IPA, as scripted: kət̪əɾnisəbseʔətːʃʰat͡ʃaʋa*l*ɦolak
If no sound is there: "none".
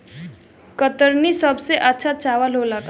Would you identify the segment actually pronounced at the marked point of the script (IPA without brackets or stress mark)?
l